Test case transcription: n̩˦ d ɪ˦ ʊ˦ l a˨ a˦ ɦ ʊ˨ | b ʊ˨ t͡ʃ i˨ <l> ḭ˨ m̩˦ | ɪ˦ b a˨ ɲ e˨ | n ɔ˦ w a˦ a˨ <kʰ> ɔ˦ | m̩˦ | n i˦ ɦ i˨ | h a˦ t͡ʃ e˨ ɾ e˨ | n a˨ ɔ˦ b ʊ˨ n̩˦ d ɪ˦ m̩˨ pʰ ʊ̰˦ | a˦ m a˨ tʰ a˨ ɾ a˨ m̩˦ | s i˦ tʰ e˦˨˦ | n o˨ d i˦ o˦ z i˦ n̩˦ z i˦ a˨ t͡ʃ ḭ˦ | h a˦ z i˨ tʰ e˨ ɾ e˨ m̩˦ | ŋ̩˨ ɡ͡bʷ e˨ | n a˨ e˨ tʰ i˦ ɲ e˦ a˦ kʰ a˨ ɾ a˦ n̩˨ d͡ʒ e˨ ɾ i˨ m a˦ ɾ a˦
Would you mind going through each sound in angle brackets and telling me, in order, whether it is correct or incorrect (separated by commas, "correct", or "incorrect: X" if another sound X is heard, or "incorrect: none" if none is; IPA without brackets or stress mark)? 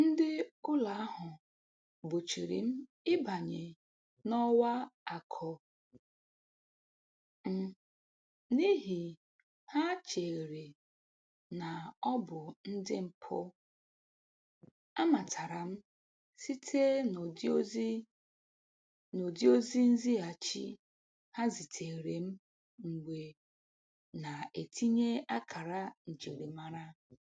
incorrect: ɾ, correct